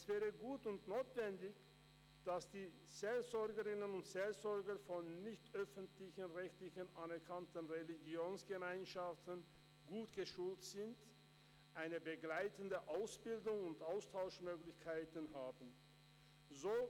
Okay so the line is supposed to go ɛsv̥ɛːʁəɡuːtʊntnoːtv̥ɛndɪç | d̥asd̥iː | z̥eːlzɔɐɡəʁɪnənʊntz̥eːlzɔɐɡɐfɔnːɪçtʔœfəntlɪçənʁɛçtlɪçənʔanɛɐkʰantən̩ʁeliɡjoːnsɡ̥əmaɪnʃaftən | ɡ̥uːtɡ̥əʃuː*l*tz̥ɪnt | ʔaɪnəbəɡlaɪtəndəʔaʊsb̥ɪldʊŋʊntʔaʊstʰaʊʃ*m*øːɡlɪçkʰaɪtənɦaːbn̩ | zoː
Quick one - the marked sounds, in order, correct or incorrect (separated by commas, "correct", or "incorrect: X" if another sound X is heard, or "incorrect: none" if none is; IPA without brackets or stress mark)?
correct, correct